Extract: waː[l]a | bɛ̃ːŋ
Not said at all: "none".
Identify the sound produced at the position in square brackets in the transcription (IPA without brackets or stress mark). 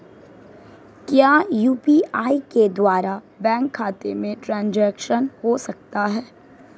ɾ